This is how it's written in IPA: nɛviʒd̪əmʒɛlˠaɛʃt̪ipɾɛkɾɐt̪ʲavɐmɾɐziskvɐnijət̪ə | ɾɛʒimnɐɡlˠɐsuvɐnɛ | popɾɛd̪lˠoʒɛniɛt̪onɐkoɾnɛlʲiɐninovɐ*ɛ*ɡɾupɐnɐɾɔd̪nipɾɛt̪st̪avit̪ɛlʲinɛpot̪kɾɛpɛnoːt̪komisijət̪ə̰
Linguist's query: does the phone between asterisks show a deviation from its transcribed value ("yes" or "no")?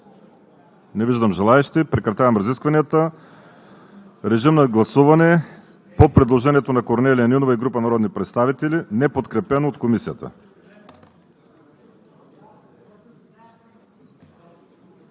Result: yes